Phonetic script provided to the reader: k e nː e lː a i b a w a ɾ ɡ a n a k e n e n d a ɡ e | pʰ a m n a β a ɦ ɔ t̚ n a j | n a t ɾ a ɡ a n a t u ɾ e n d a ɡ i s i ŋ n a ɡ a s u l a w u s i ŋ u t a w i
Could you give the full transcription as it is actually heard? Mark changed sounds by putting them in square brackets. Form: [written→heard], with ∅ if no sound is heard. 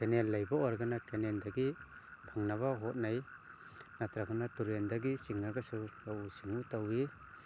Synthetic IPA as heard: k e [nː→n] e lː a [i→j] b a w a ɾ ɡ a n a k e n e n d a ɡ [e→i] | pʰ a [m→ŋ] n a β a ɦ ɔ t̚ n a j | n a t ɾ a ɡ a n a t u ɾ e n d a ɡ i s i ŋ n a ɡ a s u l a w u s i ŋ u t a w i